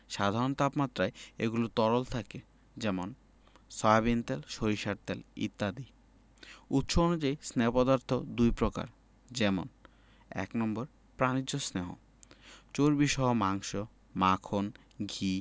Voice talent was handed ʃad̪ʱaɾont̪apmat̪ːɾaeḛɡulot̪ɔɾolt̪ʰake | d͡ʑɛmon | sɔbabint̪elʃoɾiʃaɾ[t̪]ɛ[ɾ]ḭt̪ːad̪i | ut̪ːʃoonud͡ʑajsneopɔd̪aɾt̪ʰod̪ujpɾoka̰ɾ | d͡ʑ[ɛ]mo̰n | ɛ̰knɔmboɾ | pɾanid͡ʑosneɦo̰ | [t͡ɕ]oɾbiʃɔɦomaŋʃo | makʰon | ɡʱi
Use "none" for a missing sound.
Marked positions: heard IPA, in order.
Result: t̪, l, ɛ, t͡ɕ

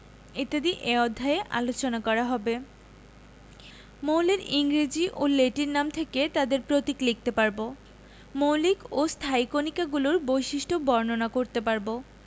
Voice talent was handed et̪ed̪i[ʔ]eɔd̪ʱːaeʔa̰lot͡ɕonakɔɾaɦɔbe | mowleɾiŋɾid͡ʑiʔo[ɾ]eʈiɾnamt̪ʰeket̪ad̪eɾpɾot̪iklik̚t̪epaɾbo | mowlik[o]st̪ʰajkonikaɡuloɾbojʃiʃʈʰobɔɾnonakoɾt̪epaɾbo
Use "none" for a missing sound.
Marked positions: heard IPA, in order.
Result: ʔ, l, o

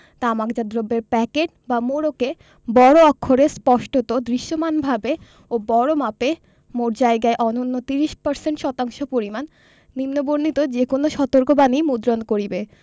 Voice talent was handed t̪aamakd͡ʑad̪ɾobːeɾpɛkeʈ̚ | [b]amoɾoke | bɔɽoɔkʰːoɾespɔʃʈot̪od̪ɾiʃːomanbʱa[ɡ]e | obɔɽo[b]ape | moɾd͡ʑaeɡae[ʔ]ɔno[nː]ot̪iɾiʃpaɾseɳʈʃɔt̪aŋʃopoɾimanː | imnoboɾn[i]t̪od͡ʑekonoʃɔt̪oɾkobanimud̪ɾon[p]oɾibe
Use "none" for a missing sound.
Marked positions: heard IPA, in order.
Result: b, b, m, ʔ, nː, i, k

